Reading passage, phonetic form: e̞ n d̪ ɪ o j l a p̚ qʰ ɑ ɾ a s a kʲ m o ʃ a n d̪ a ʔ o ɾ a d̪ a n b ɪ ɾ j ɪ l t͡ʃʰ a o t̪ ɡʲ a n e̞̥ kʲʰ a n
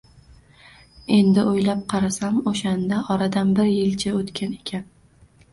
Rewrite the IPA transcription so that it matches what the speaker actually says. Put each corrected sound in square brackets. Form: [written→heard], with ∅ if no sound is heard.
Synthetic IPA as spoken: e̞ n d̪ ɪ o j l a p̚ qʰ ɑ ɾ a s a [kʲ→∅] m o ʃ a n d̪ a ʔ [o→ɒ] ɾ a d̪ a n b ɪ ɾ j ɪ l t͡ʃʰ a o t̪ [ɡʲ→kʲ] a n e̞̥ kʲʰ a n